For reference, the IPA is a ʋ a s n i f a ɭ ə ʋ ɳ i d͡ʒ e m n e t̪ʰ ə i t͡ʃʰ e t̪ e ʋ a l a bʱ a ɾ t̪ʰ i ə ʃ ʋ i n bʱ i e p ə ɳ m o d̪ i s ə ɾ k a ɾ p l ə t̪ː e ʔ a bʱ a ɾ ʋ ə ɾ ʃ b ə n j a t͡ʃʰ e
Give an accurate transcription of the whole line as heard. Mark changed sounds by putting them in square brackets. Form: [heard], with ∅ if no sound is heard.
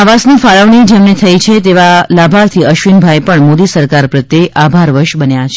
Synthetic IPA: a ʋ a s n i f a ɭ ə ʋ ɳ i d͡ʒ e m n e t̪ʰ ə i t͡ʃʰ e t̪ e ʋ a l a bʱ a ɾ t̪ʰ i ə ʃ ʋ i n bʱ [a] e p ə ɳ m o d̪ i s ə ɾ k a ɾ p [ɾ] ə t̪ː e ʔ a bʱ a ɾ ʋ ə ɾ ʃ b ə n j a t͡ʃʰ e